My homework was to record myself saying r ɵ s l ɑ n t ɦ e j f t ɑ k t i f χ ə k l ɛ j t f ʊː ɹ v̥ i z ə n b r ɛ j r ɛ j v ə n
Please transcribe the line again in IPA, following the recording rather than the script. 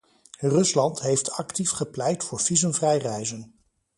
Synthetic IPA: r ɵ s l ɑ n t ɦ e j f t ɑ k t i f χ ə p l ɛ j t f ʊː ɹ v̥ i z ə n v r ɛ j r ɛ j z ə n